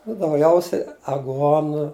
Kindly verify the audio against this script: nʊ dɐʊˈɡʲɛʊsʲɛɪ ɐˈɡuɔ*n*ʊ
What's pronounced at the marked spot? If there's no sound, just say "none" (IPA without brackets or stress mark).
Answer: n